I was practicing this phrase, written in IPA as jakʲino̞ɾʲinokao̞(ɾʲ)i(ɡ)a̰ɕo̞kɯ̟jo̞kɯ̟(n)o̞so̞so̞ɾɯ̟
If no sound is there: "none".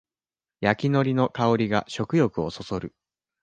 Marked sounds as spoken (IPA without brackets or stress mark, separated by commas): ɾʲ, ɡ, none